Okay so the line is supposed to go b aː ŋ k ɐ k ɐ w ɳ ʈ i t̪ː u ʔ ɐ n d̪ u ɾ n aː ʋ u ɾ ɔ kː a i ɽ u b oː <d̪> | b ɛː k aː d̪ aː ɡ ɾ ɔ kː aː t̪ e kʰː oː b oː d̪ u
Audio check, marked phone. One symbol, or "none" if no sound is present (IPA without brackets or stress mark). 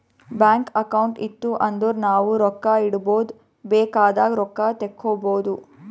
d̪